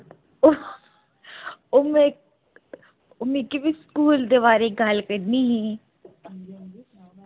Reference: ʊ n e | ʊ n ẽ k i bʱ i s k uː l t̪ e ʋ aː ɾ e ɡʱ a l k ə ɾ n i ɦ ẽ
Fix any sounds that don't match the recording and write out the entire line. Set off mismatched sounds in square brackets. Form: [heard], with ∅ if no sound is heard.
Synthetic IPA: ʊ [m] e | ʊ [m] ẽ k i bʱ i s k uː l [d̪] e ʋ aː ɾ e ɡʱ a l k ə ɾ n i ɦ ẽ